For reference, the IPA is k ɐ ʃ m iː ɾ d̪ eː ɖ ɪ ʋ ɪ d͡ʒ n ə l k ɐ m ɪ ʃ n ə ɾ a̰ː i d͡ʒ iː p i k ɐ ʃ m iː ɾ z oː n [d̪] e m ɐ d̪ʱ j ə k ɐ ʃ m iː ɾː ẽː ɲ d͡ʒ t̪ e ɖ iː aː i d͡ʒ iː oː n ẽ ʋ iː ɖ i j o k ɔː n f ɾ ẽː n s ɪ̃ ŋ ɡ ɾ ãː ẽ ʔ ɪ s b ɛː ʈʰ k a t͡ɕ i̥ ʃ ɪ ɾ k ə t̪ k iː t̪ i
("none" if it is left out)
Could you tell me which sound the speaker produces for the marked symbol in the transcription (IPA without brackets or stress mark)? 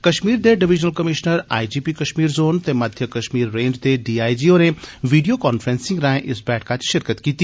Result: t̪